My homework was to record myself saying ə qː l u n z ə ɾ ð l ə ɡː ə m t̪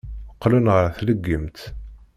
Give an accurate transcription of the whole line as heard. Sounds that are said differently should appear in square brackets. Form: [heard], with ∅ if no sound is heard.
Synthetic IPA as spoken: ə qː l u n [ʁ] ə ɾ [θ] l ə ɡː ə m t̪